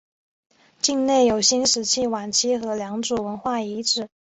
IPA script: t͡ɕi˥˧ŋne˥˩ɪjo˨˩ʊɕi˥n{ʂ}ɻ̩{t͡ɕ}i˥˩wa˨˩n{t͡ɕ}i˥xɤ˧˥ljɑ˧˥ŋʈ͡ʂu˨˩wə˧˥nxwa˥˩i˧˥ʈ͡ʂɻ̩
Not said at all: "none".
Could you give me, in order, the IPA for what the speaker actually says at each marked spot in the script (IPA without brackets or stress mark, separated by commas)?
ʂ, t͡ɕʰ, t͡ɕʰ